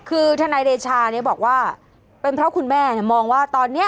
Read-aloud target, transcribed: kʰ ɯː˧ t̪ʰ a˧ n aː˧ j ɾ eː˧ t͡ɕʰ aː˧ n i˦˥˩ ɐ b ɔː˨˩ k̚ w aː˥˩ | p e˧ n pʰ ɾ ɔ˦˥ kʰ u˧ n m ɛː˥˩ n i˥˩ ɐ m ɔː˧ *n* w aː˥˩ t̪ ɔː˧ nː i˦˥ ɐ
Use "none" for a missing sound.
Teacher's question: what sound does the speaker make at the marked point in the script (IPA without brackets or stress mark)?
ŋ